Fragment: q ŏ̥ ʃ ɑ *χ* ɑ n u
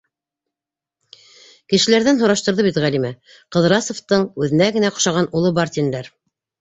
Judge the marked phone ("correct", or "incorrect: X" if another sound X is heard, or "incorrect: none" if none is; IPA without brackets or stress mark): incorrect: ʁ